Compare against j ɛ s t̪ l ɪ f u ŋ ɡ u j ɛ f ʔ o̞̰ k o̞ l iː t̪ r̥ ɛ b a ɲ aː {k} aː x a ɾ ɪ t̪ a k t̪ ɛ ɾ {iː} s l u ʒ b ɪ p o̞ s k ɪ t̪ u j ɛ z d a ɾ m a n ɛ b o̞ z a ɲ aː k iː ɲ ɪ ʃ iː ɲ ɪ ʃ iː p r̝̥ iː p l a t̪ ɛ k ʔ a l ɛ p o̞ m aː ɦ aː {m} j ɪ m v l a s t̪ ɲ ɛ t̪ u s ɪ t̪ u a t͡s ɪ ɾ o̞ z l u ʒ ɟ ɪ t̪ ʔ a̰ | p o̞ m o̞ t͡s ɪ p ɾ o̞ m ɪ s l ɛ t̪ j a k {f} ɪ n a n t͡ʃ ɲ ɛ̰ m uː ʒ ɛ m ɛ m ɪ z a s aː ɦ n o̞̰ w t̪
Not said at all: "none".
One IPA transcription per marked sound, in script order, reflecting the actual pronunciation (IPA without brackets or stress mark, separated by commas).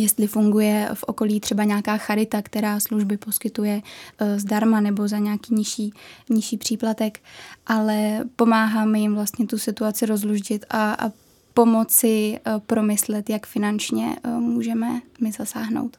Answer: k, aː, m, f